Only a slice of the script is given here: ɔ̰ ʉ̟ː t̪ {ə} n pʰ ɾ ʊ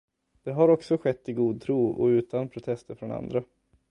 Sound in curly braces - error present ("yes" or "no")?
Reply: yes